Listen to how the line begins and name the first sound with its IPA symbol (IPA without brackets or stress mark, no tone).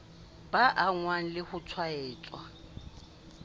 b